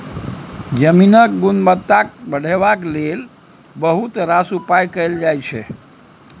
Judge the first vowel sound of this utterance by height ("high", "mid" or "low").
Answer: mid